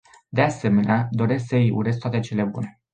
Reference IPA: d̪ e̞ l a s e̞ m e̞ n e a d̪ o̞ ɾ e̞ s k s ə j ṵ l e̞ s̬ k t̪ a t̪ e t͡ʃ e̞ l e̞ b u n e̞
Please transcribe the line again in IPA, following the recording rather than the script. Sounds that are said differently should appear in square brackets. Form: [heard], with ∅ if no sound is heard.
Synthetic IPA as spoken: d̪ e̞ [∅] a s e̞ m e̞ n e a d̪ o̞ ɾ e̞ s k s ə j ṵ [ɾ] e̞ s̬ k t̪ a t̪ e t͡ʃ e̞ l e̞ b u n e̞

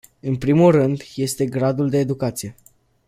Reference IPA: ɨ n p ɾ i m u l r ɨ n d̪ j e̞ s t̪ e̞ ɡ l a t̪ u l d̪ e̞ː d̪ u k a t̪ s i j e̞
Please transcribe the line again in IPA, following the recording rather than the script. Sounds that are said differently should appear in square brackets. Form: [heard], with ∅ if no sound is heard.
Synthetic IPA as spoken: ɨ n p ɾ i m u l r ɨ n d̪ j e̞ s t̪ e̞ ɡ [ɾ] a [d̪] u l d̪ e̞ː d̪ u k a t̪ s i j e̞

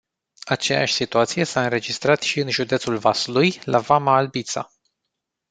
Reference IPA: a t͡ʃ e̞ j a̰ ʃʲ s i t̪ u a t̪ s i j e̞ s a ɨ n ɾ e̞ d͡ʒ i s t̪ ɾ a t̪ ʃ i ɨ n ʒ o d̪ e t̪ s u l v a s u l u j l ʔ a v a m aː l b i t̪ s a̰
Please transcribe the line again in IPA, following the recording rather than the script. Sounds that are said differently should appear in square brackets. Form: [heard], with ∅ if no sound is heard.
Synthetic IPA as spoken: a t͡ʃ e̞ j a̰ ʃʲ s i t̪ u a t̪ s i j e̞ s a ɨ n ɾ e̞ d͡ʒ i s t̪ ɾ a t̪ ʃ i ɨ n ʒ [u] d̪ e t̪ s u l v a s u l u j l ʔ a v a m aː l b i t̪ s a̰

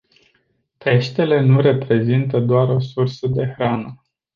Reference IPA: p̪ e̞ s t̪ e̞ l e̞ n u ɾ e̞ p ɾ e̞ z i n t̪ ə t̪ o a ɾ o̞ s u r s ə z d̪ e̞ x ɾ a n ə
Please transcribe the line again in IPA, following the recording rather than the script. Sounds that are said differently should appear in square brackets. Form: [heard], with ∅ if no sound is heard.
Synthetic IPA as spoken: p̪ e̞ [ʃ] t̪ e̞ l e̞ n u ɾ e̞ p ɾ e̞ z i n t̪ ə [d̪] o a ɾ o̞ s u r s ə [∅] d̪ e̞ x ɾ a n ə

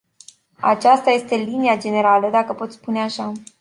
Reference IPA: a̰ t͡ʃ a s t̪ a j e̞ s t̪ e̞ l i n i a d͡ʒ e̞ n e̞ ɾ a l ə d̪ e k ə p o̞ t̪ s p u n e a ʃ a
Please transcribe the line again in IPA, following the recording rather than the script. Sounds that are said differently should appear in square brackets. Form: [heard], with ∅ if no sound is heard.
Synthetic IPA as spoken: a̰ t͡ʃ a s t̪ a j e̞ s t̪ e̞ l i n i a d͡ʒ e̞ n e̞ ɾ a l ə d̪ [a] k ə p o̞ t̪ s p u n e a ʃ a

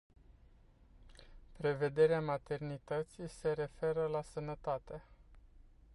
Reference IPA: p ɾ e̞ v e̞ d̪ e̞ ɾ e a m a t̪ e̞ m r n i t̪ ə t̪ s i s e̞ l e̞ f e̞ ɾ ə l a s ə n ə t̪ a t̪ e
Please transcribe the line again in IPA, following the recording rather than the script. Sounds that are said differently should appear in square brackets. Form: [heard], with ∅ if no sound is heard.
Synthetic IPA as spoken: p ɾ e̞ v e̞ d̪ e̞ ɾ e a m a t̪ e̞ [∅] r n i t̪ ə t̪ s i s e̞ [ɾ] e̞ f e̞ ɾ ə l a s ə n ə t̪ a t̪ e

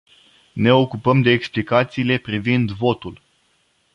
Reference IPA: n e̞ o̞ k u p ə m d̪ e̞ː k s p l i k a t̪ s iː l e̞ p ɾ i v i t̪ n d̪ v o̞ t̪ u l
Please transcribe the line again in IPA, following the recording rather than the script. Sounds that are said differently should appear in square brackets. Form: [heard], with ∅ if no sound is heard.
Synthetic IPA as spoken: n e̞ o̞ k u p ə m d̪ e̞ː k s p l i k a t̪ s iː l e̞ p ɾ i v i [∅] n d̪ v o̞ t̪ u l

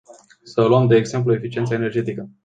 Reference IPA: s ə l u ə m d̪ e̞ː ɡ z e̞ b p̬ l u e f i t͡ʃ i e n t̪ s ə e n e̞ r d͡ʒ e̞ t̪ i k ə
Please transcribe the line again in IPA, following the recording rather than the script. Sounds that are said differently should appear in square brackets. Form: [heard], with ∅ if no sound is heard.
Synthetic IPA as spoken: s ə l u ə m d̪ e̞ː ɡ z e̞ [m] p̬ l u e f i t͡ʃ i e n t̪ s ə e n e̞ r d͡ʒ e̞ t̪ i k ə

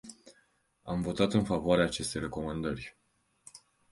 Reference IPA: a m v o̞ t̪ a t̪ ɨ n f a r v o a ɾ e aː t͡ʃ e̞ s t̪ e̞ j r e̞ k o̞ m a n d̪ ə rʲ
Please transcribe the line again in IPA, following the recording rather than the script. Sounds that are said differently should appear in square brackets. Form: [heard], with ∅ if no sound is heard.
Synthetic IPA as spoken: a m v o̞ t̪ a t̪ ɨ n f a [∅] v o a ɾ e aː t͡ʃ e̞ s t̪ e̞ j r e̞ k o̞ m a n d̪ ə rʲ

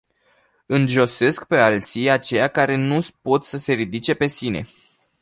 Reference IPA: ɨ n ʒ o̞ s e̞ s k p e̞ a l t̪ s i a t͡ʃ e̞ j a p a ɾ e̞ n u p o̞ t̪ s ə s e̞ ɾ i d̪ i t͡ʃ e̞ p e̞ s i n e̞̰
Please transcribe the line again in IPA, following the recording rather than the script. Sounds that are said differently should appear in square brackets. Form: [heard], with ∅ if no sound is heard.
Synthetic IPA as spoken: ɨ n ʒ o̞ s e̞ s k p e̞ a l t̪ s i a t͡ʃ e̞ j a [k] a ɾ e̞ n u p o̞ t̪ s ə s e̞ ɾ i d̪ i t͡ʃ e̞ p e̞ s i n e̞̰

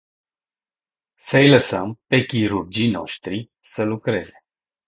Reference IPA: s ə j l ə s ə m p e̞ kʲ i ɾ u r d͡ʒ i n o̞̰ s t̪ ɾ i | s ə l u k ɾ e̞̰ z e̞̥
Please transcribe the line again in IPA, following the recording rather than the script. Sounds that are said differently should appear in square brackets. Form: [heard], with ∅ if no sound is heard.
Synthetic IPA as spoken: s ə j l ə s ə m p e̞ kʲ i ɾ u r d͡ʒ i n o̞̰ [ʃ] t̪ ɾ i | s ə l u k ɾ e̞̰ z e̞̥

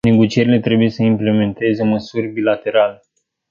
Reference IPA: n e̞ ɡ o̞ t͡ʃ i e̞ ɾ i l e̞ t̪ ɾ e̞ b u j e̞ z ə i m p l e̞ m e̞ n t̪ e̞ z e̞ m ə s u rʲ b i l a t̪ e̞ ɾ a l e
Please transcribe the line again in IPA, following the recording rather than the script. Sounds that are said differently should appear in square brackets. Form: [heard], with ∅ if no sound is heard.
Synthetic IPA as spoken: n e̞ ɡ o̞ t͡ʃ i e̞ ɾ i l e̞ t̪ ɾ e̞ b u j e̞ [s] ə i m p l e̞ m e̞ n t̪ e̞ z e̞ m ə s u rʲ b i l a t̪ e̞ ɾ a l e

